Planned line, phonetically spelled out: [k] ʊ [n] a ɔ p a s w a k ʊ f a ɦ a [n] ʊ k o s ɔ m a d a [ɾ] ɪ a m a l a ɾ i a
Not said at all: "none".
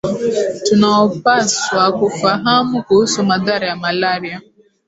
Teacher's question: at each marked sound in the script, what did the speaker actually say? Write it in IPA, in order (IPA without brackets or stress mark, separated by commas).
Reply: t, n, m, ɾ